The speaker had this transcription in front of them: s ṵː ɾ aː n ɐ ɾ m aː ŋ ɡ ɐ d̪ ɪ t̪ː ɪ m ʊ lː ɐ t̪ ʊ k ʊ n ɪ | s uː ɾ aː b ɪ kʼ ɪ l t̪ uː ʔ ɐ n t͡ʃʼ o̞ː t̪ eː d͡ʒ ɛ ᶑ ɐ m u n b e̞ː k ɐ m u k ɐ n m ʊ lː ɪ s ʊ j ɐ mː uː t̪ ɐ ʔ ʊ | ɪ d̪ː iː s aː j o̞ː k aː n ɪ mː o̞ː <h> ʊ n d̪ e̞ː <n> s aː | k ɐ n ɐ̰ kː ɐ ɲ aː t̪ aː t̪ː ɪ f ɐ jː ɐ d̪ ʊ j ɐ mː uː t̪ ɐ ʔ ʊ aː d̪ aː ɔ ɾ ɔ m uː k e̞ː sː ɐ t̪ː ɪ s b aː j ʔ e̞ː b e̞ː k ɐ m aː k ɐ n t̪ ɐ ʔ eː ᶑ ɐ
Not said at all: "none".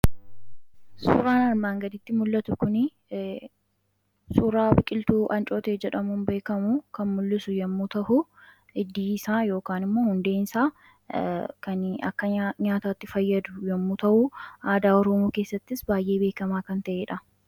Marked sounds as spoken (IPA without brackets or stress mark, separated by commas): h, n